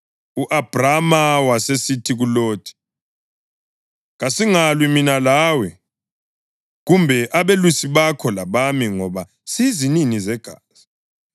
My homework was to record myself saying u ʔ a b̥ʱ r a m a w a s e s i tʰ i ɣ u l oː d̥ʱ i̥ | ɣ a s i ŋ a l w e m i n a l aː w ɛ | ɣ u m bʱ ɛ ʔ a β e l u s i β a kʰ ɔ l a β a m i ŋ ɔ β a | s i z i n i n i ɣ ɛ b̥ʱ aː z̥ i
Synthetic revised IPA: u ʔ a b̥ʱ r a m a w a s e s i tʰ i ɣ u l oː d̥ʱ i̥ | ɣ a s i ŋ a l w i m i n a l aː w ɛ | ɣ u m bʱ ɛ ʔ a β e l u s i β a kʰ ɔ l a β a m i ŋ ɔ β a | s i z i n i n i z ɛ ɡ̥ʱ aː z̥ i

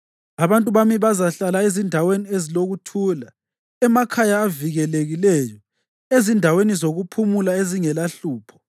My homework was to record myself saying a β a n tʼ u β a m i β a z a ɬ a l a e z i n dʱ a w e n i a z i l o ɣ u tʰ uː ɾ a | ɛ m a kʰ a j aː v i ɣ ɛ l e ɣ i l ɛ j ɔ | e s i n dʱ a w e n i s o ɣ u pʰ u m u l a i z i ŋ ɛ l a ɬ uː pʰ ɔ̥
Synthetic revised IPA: a β a n tʼ u β a m i β a z a ɬ a l a e z i n dʱ a w e n i e z i l o ɣ u tʰ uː l a | ɛ m a kʰ a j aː v i ɣ ɛ l e ɣ i l ɛ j ɔ | e z i n dʱ a w e n i z o ɣ u pʰ u m u l a e z i ŋ ɛ l a ɬ uː pʰ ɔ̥

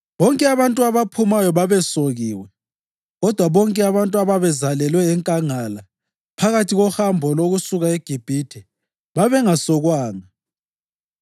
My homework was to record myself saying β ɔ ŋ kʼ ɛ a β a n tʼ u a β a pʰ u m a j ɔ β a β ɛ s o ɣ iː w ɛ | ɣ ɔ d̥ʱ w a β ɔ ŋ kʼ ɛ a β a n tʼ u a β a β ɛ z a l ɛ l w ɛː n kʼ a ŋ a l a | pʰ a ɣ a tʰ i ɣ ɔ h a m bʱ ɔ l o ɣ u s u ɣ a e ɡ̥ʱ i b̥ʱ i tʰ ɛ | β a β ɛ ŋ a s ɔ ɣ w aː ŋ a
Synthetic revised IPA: β ɔ ŋ kʼ ɛ a β a n tʼ u a β a pʰ u m a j ɔ β a β ɛ s o ɣ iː w ɛ | ɣ ɔ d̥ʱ w a β ɔ ŋ kʼ ɛ a β a n tʼ u a β a β ɛ z a l ɛ l w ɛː ŋ kʼ a ŋ a l a | pʰ a ɣ a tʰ i ɣ ɔ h a m bʱ ɔ l o ɣ u s u ɣ a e ɡ̥ʱ i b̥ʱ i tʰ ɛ | β a β ɛ ŋ a s ɔ ɣ w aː ŋ a

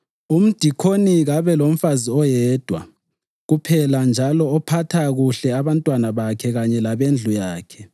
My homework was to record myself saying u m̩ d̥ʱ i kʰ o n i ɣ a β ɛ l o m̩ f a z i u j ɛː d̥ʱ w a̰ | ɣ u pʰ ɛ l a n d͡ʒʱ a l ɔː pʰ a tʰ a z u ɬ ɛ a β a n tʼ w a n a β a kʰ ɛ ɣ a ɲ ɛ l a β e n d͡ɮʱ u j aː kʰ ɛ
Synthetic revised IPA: u m̩ d̥ʱ i kʰ o n i ɣ a β ɛ l o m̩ f a z i ɔ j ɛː d̥ʱ w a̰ | ɣ u pʰ ɛ l a n d͡ʒʱ a l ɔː pʰ a tʰ a ɣ u ɬ ɛ a β a n tʼ w a n a β a kʰ ɛ ɣ a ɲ ɛ l a β e n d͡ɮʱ u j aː kʰ ɛ

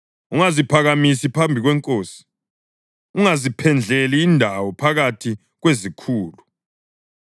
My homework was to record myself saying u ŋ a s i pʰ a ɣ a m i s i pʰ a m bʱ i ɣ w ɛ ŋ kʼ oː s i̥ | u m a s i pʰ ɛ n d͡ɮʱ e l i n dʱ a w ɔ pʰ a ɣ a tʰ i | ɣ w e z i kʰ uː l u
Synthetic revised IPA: u ŋ a z i pʰ a ɣ a m i s i pʰ a m bʱ i ɣ w ɛ ŋ kʼ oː s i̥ | u ŋ a z i pʰ ɛ n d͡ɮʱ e l iː n dʱ a w ɔ pʰ a ɣ a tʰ i | ɣ w e z i kʰ uː l u

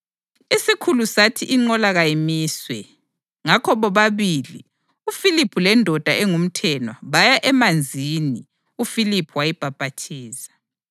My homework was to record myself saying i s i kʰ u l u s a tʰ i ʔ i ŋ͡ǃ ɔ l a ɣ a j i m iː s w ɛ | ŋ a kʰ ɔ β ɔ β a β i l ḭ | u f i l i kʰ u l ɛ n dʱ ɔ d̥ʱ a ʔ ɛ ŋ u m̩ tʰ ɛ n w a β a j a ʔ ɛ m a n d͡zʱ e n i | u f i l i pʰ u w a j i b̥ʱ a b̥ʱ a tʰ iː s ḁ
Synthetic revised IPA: i s i kʰ u l u s a tʰ i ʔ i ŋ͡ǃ ɔ l a ɣ a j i m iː s w ɛ | ŋ a kʰ ɔ β ɔ β a β i l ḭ | u f i l i pʰ u l ɛ n dʱ ɔ d̥ʱ a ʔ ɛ ŋ u m̩ tʰ ɛ n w a β a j a ʔ ɛ m a n d͡zʱ i n i | u f i l i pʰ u w a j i b̥ʱ a b̥ʱ a tʰ iː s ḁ

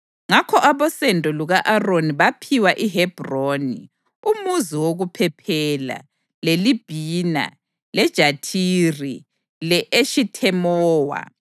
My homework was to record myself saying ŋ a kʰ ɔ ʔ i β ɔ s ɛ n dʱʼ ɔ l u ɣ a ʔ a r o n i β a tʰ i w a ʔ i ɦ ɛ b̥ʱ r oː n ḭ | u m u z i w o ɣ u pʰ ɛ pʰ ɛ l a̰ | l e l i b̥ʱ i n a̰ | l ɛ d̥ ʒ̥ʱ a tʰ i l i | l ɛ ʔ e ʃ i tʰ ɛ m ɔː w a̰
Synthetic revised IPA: ŋ a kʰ ɔ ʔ a β ɔ s ɛ n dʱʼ ɔ l u ɣ a ʔ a r o n i β a pʰ i w a ʔ i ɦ ɛ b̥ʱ r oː n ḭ | u m u z i w o ɣ u pʰ ɛ pʰ ɛ l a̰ | l e l i b̥ʱ i n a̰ | l ɛ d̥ ʒ̥ʱ a tʰ i r i | l ɛ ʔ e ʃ i tʰ ɛ m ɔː w a̰

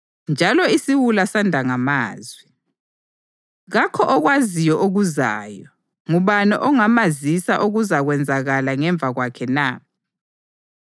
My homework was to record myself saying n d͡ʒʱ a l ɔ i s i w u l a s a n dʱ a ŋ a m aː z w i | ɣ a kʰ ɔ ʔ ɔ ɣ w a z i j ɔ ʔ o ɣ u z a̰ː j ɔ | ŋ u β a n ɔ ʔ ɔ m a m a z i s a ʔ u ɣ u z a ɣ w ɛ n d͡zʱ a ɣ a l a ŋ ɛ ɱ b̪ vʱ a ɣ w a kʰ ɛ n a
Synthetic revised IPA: n d͡ʒʱ a l ɔ i s i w u l a s a n dʱ a ŋ a m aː z w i | ɣ a kʰ ɔ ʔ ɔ ɣ w a z i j ɔ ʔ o ɣ u z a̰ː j ɔ | ŋ u β a n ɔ ʔ ɔ ŋ a m a z i s a ʔ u ɣ u z a ɣ w ɛ n d͡zʱ a ɣ a l a ŋ ɛ ɱ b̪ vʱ a ɣ w a kʰ ɛ n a

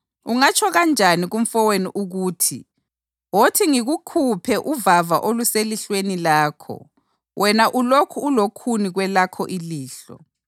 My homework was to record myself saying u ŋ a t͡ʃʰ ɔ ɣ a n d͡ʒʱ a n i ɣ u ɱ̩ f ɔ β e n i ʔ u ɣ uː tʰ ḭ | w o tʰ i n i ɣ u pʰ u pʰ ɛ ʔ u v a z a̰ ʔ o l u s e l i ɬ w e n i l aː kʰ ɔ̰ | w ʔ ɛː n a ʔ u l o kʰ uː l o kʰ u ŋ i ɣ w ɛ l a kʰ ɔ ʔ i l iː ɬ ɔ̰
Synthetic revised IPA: u ŋ a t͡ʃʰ ɔ ɣ a n d͡ʒʱ a n i ɣ u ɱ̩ f ɔ w e n i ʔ u ɣ uː tʰ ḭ | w o tʰ i ŋ i ɣ u kʰ u pʰ ɛ ʔ u v a v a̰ ʔ o l u s e l i ɬ w e n i l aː kʰ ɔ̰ | w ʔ ɛ n a ʔ u l o kʰ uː l o kʰ u n i ɣ w ɛ l a kʰ ɔ ʔ i l iː ɬ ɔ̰

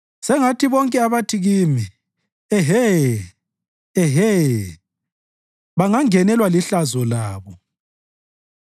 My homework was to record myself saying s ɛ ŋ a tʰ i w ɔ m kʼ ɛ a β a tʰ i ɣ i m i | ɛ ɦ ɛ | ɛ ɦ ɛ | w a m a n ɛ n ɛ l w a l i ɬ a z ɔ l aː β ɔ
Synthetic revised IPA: s ɛ ŋ a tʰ i β ɔ ŋ kʼ ɛ a β a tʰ i ɣ i m i | ɛ ɦ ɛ | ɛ ɦ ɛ | β a ŋ a ŋ ɛ n ɛ l w a l i ɬ a z ɔ l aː β ɔ

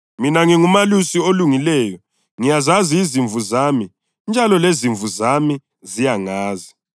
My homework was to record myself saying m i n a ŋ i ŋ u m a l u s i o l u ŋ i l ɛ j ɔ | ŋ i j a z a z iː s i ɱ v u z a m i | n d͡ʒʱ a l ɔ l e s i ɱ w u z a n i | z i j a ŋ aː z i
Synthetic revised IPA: m i n a ŋ i ŋ u m a l u s i o l u ŋ i l ɛ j ɔ | ŋ i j a z a z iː z i ɱ v u z a m i | n d͡ʒʱ a l ɔ l e z i ɱ v u z a m i | z i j a ŋ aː z i

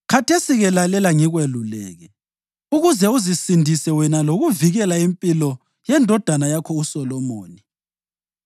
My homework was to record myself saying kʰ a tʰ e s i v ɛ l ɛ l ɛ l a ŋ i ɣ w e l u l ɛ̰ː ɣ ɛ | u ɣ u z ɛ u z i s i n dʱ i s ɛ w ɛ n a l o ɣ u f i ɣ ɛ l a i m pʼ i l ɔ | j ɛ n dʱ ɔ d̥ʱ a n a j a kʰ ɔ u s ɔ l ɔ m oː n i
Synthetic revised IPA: kʰ a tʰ e s i ɣ ɛ l a l ɛ l a ŋ i ɣ w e l u l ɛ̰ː ɣ ɛ | u ɣ u z ɛ u z i s i n dʱ i s ɛ w ɛ n a l o ɣ u v i ɣ ɛ l a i m pʼ i l ɔ | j ɛ n dʱ ɔ d̥ʱ a n a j a kʰ ɔ u s ɔ l ɔ m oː n i

